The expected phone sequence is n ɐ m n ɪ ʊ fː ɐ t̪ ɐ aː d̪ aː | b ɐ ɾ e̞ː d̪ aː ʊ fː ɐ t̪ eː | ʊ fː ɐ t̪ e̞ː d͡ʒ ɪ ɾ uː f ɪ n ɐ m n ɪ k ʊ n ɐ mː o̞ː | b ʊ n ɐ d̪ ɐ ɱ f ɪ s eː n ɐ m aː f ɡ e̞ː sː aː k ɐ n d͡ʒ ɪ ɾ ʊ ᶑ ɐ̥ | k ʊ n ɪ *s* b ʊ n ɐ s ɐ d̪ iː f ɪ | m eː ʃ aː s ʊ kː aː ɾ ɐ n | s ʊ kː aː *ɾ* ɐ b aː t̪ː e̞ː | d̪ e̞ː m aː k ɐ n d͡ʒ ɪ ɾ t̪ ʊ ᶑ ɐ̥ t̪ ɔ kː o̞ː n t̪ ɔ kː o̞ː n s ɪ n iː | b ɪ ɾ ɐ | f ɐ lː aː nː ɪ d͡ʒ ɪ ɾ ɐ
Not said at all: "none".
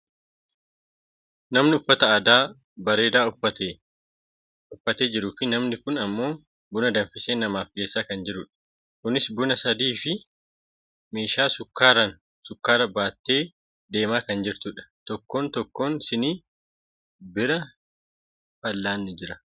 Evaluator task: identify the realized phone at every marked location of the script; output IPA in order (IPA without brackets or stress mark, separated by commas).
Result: s, ɾ